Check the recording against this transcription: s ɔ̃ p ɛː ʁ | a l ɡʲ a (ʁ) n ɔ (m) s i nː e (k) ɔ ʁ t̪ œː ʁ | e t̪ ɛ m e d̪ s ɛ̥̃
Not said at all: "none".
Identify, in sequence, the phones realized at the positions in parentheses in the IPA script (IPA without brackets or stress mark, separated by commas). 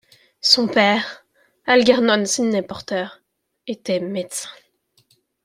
ʁ, n, p